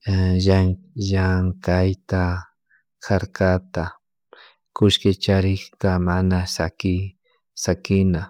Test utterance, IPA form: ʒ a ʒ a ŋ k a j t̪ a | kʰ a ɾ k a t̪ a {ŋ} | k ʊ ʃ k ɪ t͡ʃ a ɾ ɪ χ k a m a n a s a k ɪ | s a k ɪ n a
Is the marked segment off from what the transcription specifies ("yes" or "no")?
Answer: yes